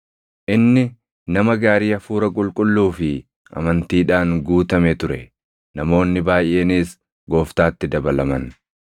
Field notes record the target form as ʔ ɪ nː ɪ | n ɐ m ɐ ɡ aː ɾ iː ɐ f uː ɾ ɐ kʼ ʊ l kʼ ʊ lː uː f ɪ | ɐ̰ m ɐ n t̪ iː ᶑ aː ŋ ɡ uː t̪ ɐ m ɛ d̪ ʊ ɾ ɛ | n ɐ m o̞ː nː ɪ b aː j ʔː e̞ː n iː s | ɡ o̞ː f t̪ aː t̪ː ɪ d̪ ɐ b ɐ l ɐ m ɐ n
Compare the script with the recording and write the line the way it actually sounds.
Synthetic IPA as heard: ʔ ɪ nː ɪ | n ɐ m ɐ ɡ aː ɾ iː ɐ f uː ɾ ɐ kʼ ʊ l kʼ ʊ lː uː f ɪ | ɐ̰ m ɐ n t̪ iː ᶑ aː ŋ ɡ uː t̪ ɐ m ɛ t̪ ʊ ɾ ɛ | n ɐ m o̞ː nː ɪ b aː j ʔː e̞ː n iː s | ɡ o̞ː f t̪ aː t̪ː ɪ d̪ ɐ b ɐ l ɐ m ɐ n

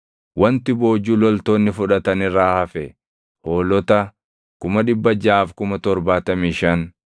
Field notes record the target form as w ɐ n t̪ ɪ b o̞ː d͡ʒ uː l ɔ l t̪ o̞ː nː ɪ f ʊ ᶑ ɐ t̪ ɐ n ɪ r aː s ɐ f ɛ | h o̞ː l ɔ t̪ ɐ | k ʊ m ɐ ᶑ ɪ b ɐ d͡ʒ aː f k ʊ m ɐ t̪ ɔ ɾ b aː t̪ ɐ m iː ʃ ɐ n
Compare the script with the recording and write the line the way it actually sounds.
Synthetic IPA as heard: w ɐ n t̪ ɪ b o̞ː d͡ʒ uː l ɔ l t̪ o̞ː nː ɪ f ʊ ᶑ ɐ t̪ ɐ n ɪ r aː h ɐ f ɛ | h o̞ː l ɔ t̪ ɐ | k ʊ m ɐ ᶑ ɪ bː ɐ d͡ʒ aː f k ʊ m ɐ t̪ ɔ ɾ b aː t̪ ɐ m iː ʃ ɐ n

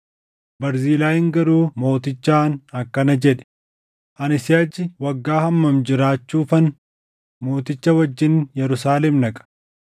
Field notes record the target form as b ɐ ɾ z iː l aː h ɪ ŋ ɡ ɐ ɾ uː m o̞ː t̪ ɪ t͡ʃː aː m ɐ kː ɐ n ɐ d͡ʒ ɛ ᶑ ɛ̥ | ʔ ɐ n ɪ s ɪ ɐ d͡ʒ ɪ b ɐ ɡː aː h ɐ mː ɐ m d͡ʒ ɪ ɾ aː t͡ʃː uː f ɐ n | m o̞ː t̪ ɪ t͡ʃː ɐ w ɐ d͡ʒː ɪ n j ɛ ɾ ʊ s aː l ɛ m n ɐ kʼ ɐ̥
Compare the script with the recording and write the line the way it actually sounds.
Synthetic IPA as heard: b ɐ ɾ z iː l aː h ɪ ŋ ɡ ɐ ɾ uː m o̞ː t̪ ɪ t͡ʃː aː n ɐ kː ɐ n ɐ d͡ʒ ɛ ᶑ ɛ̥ | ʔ ɐ n ɪ s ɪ ɐ d͡ʒ ɪ w ɐ ɡː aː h ɐ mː ɐ m d͡ʒ ɪ ɾ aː t͡ʃː uː f ɐ n | m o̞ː t̪ ɪ t͡ʃː ɐ w ɐ d͡ʒː ɪ n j ɛ ɾ ʊ s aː l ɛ m n ɐ kʼ ɐ̥

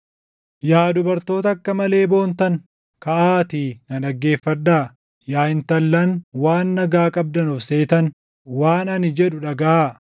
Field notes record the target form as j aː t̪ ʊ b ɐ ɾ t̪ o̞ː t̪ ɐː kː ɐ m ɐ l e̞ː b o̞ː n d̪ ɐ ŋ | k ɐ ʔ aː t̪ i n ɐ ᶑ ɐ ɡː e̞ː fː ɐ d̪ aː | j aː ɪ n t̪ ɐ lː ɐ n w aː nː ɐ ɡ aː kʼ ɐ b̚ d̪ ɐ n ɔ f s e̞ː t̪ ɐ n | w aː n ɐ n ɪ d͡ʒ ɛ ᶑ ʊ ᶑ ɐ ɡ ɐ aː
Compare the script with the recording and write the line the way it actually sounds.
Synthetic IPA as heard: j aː d̪ ʊ b ɐ ɾ t̪ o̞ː t̪ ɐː kː ɐ m ɐ l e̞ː b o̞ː n t̪ ɐ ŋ | k ɐ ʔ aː t̪ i n ɐ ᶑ ɐ ɡː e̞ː fː ɐ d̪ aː | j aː ɪ n t̪ ɐ lː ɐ n w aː nː ɐ ɡ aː kʼ ɐ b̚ d̪ ɐ n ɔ f s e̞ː t̪ ɐ n | w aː n ɐ n ɪ d͡ʒ ɛ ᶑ ʊ ᶑ ɐ ɡ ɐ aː

